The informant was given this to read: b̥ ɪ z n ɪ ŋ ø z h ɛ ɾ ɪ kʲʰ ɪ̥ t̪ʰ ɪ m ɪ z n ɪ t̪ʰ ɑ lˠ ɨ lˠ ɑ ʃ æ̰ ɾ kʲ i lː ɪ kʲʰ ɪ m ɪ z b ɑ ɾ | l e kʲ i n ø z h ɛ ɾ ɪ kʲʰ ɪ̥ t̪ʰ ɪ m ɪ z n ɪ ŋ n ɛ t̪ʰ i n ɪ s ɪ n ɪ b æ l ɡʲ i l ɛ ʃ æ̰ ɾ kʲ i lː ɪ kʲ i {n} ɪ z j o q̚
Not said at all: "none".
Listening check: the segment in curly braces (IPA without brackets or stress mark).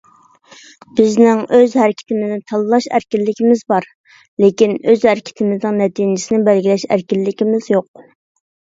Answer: m